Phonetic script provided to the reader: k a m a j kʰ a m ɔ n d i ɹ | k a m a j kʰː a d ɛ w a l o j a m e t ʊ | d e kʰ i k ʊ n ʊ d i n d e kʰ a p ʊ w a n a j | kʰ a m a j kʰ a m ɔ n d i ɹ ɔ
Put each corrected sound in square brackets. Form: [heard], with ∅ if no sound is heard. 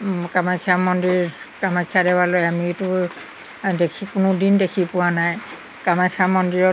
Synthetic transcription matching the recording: k a m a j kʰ a m ɔ n d i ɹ | k a m a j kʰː a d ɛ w a l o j a m [i] t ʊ | d e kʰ i k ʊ n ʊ d i n d e kʰ [i] p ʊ w a n a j | [k] a m a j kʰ a m ɔ n d i ɹ ɔ